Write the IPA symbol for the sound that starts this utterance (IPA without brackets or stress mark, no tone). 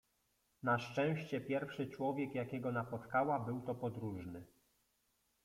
n